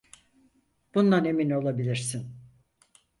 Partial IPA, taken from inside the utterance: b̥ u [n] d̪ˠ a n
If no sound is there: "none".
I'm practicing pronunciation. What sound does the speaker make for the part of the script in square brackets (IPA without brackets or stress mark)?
n